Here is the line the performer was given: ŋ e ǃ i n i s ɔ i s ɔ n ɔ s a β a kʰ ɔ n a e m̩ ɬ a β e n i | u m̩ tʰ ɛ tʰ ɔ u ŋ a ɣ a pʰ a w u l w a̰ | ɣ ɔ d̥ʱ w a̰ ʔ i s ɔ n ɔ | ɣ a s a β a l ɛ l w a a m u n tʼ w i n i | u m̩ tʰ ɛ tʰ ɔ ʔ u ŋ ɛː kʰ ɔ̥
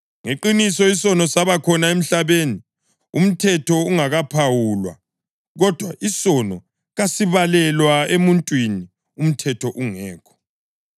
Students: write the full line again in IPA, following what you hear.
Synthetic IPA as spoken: ŋ e ǃ i n i s ɔ i s ɔ n ɔ s a β a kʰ ɔ n a e m̩ ɬ a β e n i | u m̩ tʰ ɛ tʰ ɔ u ŋ a ɣ a pʰ a w u l w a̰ | ɣ ɔ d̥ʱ w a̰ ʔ i s ɔ n ɔ | ɣ a s i β a l ɛ l w a e m u n tʼ w i n i | u m̩ tʰ ɛ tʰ ɔ ʔ u ŋ ɛː kʰ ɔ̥